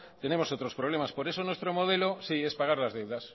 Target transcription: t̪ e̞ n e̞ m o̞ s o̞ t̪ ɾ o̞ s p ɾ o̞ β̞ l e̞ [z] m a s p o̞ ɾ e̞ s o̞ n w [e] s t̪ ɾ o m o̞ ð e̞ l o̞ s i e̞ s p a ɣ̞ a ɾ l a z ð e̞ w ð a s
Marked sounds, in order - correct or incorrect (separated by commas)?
incorrect, correct